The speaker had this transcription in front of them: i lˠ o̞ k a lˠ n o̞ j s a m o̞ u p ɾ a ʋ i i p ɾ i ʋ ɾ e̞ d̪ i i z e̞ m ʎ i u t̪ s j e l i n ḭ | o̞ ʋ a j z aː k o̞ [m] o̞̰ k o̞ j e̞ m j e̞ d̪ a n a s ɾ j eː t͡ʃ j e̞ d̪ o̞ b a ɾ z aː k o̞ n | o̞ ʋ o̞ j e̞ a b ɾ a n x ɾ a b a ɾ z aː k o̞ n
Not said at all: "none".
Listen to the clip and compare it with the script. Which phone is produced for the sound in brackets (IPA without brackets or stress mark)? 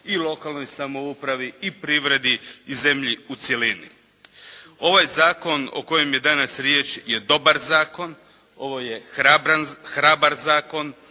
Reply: n